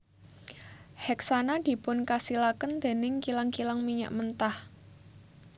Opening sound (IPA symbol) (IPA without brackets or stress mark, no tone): h